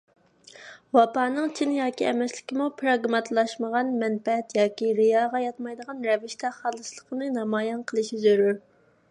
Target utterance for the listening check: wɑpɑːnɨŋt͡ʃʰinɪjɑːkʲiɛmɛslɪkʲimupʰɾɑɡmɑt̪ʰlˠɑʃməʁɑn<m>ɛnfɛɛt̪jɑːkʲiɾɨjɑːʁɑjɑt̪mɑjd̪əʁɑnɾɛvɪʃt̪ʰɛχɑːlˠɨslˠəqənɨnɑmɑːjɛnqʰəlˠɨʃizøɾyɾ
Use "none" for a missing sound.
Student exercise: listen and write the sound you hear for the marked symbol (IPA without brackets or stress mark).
m